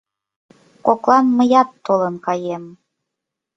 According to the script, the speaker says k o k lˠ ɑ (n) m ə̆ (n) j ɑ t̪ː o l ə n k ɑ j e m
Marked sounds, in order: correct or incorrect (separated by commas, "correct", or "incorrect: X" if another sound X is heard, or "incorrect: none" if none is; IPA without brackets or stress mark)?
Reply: correct, incorrect: none